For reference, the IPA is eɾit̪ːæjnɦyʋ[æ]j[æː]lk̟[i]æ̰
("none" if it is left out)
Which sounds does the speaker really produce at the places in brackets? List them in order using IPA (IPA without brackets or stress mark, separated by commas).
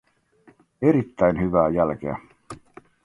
æː, æ, e